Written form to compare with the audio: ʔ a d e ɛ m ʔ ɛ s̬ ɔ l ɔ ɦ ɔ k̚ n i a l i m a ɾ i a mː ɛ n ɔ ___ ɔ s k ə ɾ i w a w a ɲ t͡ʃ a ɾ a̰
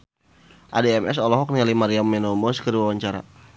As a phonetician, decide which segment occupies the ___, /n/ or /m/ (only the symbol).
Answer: m